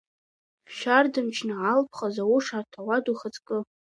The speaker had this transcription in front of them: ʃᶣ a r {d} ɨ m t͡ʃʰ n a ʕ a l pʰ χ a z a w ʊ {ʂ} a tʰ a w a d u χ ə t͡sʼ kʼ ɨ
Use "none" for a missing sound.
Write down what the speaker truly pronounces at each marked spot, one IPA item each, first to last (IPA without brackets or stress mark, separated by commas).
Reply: d, ʂ